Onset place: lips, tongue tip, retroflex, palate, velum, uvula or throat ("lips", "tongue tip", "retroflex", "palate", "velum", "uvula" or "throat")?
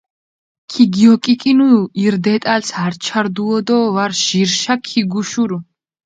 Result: velum